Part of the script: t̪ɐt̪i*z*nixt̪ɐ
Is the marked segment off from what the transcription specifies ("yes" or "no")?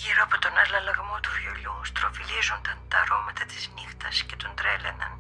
no